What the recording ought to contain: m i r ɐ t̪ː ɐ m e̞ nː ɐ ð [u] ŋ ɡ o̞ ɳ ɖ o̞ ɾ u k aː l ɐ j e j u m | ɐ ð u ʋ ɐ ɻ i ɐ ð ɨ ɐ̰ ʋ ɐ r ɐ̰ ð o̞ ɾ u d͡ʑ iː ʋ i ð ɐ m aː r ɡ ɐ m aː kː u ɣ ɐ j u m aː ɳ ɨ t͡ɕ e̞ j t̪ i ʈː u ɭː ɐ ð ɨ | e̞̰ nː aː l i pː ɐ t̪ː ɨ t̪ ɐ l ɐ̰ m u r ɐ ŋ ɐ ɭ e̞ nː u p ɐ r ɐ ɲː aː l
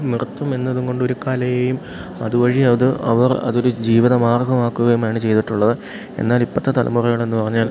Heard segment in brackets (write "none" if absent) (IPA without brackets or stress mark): u